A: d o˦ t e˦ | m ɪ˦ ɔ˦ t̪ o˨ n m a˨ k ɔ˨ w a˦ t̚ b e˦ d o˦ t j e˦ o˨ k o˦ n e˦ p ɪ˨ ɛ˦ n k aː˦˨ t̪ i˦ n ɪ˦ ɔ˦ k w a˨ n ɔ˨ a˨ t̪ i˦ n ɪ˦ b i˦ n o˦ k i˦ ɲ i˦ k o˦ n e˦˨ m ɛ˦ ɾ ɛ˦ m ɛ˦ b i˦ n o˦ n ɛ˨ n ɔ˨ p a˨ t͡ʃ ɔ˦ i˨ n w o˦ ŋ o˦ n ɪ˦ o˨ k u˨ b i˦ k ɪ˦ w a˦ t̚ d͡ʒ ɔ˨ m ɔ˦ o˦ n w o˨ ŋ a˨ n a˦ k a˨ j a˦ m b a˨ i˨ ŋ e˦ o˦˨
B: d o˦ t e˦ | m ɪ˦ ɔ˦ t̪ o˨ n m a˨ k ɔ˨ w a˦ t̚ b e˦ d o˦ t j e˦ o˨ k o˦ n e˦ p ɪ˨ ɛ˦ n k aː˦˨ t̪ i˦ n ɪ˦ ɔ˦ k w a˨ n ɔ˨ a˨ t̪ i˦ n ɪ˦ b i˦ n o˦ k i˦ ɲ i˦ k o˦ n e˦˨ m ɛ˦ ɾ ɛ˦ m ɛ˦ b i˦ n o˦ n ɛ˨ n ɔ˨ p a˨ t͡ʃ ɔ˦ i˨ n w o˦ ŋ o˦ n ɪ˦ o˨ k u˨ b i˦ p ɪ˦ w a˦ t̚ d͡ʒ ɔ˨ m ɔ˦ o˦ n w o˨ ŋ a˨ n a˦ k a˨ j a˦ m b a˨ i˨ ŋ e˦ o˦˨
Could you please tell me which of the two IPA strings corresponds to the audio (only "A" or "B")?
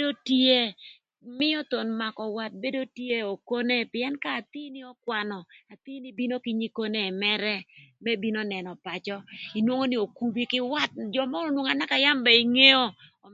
A